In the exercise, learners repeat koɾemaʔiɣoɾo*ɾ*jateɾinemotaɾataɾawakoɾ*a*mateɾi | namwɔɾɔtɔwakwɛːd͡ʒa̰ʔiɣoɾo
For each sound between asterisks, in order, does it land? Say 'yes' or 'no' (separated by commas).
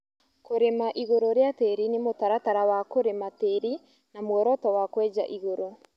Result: yes, no